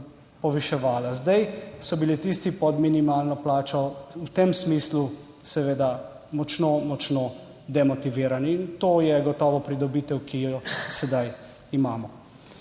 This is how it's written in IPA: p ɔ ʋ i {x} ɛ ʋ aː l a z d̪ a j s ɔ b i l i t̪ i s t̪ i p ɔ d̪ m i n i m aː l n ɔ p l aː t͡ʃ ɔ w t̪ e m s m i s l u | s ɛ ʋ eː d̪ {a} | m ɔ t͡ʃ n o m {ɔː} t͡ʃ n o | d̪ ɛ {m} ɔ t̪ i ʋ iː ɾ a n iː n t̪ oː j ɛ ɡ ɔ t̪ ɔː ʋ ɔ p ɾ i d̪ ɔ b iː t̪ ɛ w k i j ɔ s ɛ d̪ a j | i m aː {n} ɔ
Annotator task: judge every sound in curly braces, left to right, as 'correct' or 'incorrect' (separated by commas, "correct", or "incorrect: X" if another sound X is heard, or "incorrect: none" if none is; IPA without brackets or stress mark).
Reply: incorrect: ʃ, correct, incorrect: ɔ, correct, incorrect: m